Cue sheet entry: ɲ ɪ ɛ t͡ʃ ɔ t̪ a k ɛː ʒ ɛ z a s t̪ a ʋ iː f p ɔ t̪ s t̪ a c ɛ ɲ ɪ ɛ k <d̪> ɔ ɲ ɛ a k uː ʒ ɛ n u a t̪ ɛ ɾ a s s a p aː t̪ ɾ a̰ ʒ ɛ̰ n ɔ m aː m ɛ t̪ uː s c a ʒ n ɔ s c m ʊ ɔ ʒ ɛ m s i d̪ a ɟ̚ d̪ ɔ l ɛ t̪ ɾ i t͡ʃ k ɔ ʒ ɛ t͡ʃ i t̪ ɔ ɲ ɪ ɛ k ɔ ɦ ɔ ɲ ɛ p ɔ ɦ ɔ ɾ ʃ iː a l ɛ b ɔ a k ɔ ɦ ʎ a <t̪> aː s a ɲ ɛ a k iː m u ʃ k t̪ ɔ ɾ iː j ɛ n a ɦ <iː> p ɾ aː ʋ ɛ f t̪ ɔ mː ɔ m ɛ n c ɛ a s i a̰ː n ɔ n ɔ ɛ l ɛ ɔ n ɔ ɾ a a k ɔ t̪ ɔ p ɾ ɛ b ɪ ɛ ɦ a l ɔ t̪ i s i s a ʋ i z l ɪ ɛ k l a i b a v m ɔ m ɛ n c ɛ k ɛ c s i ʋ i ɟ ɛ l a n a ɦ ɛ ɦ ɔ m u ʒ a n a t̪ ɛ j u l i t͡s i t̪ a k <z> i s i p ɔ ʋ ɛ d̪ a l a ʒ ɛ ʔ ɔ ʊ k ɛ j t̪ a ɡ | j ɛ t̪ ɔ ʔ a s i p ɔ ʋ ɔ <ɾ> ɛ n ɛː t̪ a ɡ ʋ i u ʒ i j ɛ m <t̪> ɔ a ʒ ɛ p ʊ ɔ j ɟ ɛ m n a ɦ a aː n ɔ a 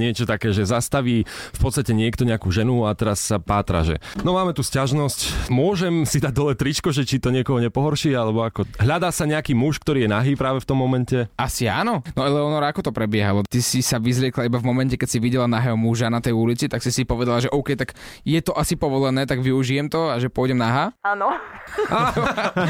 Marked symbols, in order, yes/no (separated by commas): no, no, yes, no, no, yes